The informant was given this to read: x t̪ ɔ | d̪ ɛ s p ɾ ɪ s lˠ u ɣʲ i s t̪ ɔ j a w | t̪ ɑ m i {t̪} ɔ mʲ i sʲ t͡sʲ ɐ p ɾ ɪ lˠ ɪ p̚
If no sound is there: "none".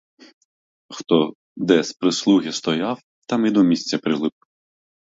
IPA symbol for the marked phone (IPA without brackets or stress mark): d̪